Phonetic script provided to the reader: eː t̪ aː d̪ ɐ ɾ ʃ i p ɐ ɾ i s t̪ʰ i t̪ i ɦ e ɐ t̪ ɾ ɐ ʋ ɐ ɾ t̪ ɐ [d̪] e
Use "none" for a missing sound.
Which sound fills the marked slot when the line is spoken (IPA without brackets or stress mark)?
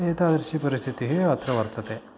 t̪